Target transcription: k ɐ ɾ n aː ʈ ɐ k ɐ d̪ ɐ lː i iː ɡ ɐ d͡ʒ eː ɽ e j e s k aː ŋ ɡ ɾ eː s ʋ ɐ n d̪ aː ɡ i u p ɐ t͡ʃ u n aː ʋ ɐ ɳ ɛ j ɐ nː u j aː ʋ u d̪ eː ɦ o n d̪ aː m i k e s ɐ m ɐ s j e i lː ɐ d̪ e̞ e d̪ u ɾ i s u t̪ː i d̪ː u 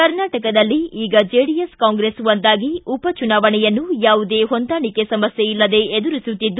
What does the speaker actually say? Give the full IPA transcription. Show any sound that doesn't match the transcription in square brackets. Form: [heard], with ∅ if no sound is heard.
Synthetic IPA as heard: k ɐ ɾ n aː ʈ ɐ k ɐ d̪ ɐ lː i iː ɡ ɐ d͡ʒ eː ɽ [i] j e s k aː ŋ ɡ ɾ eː s ʋ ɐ n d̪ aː ɡ i u p ɐ t͡ʃ u n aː ʋ ɐ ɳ ɛ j ɐ nː u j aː ʋ u d̪ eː ɦ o n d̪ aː [ɳ] i k e s ɐ m ɐ s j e i lː ɐ d̪ e̞ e d̪ u ɾ i s u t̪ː i d̪ː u